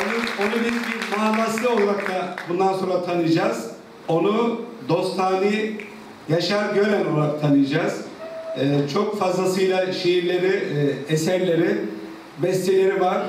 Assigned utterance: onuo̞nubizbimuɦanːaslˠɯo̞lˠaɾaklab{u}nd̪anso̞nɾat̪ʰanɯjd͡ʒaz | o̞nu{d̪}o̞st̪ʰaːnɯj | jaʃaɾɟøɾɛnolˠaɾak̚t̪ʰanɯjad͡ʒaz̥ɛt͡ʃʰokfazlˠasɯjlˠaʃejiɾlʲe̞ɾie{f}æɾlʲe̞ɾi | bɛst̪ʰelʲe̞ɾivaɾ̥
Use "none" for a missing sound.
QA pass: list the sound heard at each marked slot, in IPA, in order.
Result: u, d̪, s

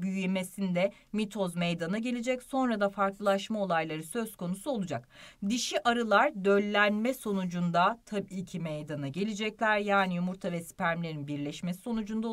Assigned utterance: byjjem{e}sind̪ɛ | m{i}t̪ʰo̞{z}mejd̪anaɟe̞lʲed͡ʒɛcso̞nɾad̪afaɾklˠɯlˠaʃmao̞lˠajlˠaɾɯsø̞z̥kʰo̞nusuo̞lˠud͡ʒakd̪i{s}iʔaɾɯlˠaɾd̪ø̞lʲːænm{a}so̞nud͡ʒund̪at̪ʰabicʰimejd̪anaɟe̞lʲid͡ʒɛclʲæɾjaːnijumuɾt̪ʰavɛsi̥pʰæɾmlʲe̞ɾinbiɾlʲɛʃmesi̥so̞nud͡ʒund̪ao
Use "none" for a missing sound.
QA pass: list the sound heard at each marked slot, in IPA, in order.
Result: e, i, z, ʃ, ɛ

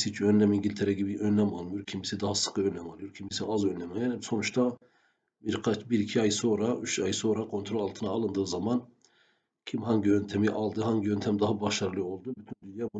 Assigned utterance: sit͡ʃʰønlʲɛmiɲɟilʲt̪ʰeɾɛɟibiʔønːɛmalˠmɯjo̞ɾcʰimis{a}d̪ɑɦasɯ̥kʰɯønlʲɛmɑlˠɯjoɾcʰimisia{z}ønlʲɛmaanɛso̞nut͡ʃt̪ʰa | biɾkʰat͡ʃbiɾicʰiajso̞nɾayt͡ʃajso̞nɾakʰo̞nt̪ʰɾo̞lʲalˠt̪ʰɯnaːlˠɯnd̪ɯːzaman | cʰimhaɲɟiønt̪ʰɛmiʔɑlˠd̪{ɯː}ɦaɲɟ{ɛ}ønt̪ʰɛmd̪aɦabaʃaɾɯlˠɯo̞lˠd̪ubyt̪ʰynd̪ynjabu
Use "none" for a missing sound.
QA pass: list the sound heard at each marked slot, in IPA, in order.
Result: i, z, ɯ, i

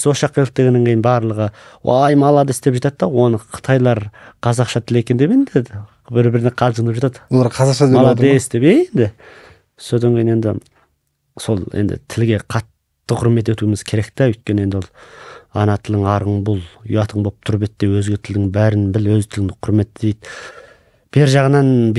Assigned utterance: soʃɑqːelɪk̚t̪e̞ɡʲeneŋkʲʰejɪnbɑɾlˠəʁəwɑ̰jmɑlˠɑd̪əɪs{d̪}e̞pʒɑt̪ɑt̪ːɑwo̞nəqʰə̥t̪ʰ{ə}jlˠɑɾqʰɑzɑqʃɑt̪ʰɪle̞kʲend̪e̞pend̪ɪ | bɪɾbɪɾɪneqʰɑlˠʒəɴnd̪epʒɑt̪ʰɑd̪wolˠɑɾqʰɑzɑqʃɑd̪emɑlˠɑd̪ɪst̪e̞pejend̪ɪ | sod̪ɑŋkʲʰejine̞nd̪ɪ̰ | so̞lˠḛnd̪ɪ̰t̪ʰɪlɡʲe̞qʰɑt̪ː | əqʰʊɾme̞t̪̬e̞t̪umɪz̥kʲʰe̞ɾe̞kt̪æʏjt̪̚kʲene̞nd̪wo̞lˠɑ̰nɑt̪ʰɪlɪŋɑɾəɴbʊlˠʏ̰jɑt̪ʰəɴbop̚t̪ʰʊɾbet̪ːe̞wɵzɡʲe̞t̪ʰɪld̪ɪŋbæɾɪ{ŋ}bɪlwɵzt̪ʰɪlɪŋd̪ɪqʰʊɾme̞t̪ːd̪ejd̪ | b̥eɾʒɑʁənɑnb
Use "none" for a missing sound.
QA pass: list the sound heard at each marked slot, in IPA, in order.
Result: t̪, ɑ, n

